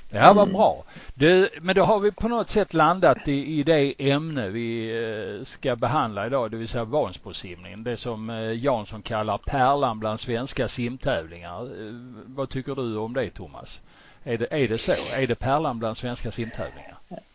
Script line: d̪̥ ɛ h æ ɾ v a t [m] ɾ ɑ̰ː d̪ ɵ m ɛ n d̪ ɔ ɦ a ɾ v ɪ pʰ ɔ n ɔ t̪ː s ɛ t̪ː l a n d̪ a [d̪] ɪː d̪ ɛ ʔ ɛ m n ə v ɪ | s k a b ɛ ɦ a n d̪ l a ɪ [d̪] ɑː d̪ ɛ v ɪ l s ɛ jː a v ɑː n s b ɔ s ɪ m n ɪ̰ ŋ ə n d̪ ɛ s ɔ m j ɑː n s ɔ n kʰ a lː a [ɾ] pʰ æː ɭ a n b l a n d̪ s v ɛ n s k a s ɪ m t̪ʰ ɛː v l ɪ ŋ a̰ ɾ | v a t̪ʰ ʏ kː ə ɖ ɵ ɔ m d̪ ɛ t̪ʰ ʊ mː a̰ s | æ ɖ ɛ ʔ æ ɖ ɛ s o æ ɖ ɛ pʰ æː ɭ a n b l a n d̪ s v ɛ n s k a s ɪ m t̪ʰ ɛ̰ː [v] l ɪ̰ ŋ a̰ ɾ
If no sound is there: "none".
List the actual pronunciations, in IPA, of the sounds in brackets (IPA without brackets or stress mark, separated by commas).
b, t̪, d̪, ɾ, v